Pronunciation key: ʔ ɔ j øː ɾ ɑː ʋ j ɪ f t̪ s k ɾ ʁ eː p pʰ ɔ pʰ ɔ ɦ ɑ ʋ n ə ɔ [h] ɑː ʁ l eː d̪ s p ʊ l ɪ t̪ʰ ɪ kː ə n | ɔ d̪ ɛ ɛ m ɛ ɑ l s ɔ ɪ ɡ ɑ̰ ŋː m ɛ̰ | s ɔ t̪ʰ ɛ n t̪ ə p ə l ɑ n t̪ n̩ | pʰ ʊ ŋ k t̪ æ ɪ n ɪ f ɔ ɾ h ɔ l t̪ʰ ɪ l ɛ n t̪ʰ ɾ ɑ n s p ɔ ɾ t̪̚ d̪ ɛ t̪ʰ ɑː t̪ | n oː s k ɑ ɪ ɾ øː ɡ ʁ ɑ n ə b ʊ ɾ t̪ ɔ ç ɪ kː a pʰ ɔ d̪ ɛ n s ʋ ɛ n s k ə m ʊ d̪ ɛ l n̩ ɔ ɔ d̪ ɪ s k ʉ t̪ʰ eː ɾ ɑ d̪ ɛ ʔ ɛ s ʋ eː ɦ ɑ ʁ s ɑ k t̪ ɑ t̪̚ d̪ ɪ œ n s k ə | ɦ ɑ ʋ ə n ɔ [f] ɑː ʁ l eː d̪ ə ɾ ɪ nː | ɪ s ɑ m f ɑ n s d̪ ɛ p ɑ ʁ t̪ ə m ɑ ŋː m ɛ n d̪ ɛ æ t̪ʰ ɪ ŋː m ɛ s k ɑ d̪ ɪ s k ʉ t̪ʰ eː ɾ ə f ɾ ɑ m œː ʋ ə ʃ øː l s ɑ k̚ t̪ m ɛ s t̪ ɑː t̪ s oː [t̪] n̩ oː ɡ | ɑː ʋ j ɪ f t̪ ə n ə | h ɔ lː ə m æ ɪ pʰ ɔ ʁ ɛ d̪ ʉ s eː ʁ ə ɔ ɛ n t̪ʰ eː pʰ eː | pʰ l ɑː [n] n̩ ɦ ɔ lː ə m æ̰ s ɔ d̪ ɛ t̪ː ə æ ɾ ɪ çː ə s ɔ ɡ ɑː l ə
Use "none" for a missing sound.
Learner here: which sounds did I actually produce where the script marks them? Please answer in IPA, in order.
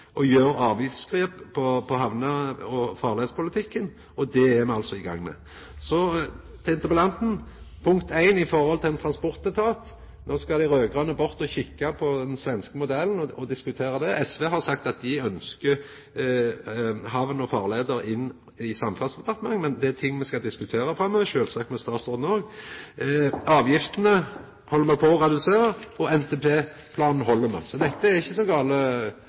f, f, d̪, n

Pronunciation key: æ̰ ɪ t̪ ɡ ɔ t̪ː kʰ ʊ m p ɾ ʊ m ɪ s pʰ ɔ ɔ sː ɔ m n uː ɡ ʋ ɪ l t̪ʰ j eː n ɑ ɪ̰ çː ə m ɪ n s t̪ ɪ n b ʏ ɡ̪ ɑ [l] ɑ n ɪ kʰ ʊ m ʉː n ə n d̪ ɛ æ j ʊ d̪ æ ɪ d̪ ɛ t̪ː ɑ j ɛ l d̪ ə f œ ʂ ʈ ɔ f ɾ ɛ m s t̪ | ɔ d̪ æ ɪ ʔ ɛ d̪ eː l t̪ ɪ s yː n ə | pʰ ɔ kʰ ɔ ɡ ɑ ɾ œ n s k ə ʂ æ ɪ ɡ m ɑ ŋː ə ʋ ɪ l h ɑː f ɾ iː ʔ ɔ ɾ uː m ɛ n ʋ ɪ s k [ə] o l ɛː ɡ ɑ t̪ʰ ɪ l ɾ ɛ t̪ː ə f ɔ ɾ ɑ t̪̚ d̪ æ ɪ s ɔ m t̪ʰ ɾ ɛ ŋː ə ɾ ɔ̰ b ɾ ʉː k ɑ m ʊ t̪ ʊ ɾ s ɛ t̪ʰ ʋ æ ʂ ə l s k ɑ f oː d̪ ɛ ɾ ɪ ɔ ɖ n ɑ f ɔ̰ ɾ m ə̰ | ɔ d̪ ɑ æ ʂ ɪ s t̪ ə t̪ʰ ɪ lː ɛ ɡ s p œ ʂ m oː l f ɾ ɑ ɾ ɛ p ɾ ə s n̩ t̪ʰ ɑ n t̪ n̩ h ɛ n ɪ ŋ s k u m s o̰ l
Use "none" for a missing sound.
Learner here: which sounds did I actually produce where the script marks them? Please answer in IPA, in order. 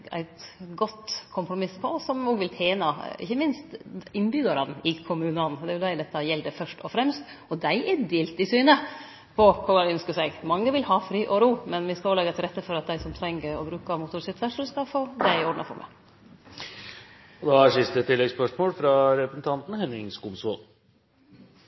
ɾ, ɑ

